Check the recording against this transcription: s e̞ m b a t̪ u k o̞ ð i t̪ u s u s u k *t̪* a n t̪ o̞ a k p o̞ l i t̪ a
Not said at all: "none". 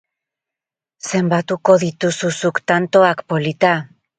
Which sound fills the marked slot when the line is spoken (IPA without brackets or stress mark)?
t̪